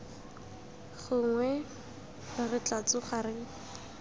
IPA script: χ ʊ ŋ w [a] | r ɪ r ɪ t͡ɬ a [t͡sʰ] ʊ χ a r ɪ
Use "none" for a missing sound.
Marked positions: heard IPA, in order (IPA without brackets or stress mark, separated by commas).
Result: ɛ, t͡s